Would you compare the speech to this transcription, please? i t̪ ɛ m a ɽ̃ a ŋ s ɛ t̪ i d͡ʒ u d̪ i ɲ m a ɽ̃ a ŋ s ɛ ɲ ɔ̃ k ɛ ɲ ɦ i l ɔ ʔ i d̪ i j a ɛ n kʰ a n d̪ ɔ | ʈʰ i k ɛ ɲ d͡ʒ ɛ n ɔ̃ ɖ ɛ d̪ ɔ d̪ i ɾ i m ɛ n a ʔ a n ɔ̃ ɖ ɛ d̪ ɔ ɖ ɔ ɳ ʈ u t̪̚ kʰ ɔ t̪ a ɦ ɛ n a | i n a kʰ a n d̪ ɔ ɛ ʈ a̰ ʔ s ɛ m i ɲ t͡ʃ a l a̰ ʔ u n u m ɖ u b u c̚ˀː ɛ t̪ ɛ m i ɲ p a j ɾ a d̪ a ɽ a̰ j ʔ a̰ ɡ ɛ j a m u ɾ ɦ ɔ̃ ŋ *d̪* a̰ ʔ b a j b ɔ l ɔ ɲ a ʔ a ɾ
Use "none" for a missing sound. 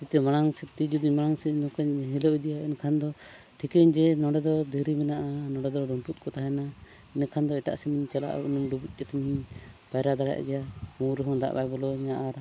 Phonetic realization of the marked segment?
d̪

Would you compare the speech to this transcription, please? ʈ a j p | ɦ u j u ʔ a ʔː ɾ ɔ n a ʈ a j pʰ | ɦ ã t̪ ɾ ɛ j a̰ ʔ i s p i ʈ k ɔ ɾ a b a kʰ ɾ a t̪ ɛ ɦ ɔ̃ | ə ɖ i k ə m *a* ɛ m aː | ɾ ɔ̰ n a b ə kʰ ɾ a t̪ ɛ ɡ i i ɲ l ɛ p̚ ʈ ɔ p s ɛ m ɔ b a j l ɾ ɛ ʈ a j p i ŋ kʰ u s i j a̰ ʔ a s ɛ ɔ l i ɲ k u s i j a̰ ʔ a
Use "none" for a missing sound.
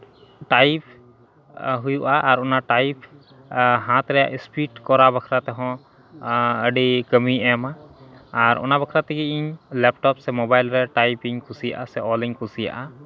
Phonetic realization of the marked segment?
i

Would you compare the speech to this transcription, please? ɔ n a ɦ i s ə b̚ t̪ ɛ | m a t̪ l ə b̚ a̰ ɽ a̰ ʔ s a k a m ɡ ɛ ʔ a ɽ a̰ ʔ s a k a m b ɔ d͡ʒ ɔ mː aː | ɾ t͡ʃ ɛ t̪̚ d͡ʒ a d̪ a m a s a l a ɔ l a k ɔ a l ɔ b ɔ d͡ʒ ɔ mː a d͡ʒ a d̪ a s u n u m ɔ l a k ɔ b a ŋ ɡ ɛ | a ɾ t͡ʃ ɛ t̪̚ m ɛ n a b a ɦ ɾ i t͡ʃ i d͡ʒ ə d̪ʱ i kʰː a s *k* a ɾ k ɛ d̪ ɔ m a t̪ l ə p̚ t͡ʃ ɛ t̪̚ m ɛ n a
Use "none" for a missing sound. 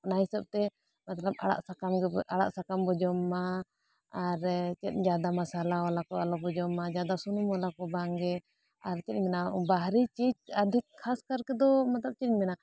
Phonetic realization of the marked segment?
k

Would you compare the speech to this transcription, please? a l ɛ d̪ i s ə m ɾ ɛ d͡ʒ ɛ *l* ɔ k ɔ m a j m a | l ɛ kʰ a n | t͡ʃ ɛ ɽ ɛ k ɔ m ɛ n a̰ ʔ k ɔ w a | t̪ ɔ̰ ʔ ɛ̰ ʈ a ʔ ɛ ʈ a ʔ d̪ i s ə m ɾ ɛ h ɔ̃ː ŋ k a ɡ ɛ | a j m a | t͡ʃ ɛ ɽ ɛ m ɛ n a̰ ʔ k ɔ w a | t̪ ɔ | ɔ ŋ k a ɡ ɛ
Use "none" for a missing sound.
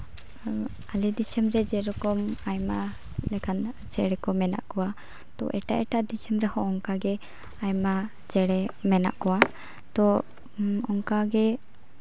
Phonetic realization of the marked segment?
ɾ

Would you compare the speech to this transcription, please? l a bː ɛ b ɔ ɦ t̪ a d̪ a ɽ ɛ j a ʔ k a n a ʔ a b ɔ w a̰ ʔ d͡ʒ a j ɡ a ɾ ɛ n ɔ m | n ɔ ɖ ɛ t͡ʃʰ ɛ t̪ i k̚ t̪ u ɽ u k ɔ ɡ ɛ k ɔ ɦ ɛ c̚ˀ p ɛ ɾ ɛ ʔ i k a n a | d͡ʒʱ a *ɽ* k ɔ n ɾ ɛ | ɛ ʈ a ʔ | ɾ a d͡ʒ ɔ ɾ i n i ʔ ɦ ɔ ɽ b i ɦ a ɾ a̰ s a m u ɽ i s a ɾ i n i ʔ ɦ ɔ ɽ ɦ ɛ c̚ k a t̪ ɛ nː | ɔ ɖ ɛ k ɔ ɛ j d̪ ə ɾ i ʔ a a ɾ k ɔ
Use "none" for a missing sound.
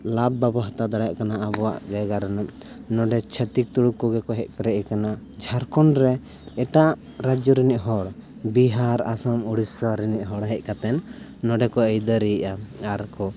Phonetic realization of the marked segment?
ɾ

